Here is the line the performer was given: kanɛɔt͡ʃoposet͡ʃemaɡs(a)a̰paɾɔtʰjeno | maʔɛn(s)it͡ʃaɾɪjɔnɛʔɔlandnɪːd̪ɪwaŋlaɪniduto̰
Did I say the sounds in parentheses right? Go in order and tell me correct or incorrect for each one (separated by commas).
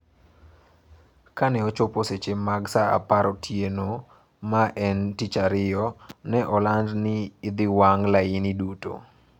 correct, incorrect